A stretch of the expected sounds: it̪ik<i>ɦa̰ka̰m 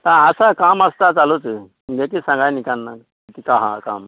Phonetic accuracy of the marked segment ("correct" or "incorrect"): incorrect